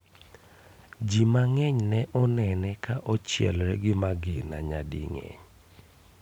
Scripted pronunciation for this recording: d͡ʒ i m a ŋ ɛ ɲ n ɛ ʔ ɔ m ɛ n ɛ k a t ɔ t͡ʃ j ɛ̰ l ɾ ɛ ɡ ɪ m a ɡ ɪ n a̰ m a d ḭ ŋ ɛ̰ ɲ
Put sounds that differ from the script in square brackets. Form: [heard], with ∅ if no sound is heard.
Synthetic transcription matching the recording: d͡ʒ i m a ŋ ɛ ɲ n ɛ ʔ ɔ [n] ɛ n ɛ k a [ʔ] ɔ t͡ʃ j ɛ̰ l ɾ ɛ ɡ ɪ m a ɡ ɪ n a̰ [ɲ] a d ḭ ŋ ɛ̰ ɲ